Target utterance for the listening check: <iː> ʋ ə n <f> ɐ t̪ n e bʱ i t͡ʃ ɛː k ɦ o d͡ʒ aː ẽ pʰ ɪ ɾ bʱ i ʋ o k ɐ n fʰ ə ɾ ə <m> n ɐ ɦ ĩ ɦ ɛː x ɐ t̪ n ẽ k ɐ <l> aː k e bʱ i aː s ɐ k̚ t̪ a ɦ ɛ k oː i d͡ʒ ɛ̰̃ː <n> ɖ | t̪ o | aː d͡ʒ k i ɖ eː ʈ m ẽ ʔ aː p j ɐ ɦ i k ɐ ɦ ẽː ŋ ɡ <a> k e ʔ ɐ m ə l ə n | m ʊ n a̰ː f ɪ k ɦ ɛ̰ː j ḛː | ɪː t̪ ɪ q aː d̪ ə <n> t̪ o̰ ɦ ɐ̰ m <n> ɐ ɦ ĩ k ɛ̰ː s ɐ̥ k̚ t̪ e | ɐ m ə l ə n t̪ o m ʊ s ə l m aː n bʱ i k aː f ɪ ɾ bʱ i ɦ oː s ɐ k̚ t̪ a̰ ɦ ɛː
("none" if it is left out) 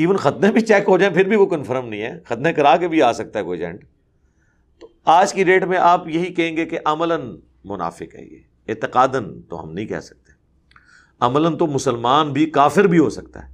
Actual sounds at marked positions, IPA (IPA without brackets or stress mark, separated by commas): iː, x, m, ɾ, ɳ, e, n, n